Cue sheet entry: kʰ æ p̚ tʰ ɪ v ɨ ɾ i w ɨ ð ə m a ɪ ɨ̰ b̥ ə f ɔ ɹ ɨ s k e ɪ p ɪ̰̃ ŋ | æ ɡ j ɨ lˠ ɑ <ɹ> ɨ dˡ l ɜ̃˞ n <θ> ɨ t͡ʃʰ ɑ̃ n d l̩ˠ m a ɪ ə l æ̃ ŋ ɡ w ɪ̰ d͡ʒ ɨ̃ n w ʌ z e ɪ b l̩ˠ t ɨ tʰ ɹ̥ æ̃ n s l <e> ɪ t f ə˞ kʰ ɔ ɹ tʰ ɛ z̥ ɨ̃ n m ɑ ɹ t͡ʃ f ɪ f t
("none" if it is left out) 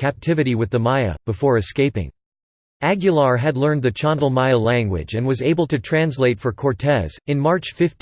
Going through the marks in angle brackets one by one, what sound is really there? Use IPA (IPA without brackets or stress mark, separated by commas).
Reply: ɹ, ð, e